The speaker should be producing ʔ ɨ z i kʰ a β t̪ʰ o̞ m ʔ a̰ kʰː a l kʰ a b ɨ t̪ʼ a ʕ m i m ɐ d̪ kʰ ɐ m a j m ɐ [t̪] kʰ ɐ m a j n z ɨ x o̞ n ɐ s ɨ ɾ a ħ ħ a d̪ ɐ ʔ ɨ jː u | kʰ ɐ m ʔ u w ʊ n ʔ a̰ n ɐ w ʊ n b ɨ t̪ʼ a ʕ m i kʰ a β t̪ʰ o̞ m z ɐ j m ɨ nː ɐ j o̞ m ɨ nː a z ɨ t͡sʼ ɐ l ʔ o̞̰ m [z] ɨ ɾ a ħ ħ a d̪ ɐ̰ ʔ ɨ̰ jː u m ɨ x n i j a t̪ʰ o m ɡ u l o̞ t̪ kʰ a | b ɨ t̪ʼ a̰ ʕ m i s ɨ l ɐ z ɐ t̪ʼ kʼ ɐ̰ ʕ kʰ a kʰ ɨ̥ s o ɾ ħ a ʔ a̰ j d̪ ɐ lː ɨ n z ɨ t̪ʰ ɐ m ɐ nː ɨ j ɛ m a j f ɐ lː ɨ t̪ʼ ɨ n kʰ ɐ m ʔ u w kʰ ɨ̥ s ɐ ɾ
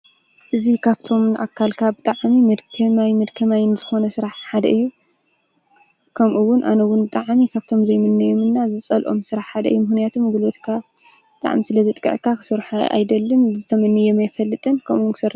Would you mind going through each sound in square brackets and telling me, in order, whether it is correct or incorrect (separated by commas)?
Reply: incorrect, incorrect